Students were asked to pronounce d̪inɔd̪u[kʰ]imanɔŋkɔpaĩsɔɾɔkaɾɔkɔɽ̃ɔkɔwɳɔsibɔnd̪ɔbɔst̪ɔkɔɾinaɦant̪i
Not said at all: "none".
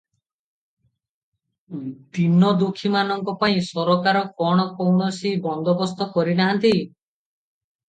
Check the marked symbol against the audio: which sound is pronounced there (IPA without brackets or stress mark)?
kʰ